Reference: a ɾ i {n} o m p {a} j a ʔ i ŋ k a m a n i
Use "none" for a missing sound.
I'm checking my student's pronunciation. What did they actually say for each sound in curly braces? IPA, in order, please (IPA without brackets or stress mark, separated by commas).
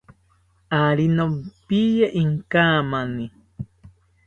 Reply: n, i